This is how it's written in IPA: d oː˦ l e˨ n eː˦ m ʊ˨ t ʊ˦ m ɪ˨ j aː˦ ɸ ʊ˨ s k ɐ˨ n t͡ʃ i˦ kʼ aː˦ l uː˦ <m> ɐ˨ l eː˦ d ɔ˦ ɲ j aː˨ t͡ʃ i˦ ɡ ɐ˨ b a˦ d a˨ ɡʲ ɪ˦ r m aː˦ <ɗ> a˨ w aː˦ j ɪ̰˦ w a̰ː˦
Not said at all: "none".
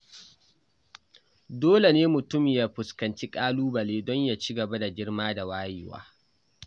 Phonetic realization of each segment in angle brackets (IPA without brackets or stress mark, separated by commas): b, d